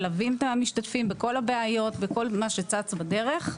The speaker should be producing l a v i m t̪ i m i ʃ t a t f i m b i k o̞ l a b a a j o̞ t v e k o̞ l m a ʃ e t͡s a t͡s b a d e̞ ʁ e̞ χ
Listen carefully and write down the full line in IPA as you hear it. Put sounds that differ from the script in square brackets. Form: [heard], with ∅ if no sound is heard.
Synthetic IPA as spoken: l a v i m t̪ [a] m i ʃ t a t f i m b [e] k o̞ l a b [e] a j o̞ t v e k o̞ l m a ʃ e t͡s a t͡s b a d e̞ ʁ e̞ χ